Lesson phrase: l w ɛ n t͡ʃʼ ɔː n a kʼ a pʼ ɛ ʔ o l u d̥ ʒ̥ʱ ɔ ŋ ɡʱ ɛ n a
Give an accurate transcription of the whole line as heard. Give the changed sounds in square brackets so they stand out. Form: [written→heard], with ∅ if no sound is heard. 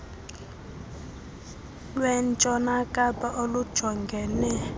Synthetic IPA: l w ɛ n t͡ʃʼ [ɔː→ɔ] n a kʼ a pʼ [ɛ→a] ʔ o l u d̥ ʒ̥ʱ ɔ ŋ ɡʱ ɛ n [a→ɛ]